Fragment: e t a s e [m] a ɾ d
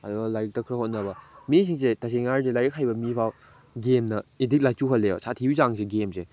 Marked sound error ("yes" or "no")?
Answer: yes